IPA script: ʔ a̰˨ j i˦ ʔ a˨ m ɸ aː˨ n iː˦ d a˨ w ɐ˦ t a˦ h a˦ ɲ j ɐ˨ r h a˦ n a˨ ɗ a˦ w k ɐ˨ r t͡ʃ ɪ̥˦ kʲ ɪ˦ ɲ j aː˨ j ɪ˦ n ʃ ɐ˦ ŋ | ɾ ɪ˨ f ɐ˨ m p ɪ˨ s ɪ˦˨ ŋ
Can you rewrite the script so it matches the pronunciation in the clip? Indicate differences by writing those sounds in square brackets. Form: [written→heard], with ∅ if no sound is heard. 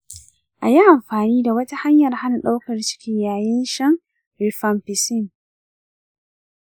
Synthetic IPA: ʔ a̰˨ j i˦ ʔ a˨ m ɸ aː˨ n iː˦ d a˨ w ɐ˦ t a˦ h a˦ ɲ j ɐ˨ r h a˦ n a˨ ɗ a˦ w k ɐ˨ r t͡ʃ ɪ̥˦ kʲ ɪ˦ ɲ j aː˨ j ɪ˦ n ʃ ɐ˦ ŋ | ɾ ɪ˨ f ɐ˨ m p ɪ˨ s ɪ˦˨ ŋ